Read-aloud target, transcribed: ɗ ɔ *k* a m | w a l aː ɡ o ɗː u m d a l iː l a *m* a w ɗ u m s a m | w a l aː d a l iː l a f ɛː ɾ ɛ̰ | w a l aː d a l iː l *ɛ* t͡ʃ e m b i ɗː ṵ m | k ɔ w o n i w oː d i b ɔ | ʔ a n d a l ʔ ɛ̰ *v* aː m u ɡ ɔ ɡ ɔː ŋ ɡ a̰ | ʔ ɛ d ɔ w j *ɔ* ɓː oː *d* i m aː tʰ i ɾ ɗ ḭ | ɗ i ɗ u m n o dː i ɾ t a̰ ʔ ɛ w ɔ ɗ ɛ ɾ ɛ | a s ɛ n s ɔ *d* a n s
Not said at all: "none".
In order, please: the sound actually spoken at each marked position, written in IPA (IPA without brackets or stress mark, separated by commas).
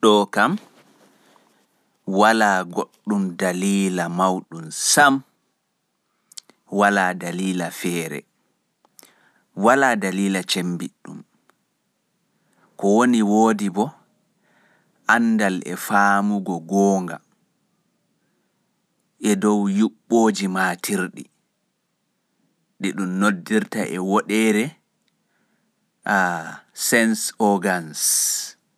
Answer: k, m, a, f, u, d͡ʒ, ɡ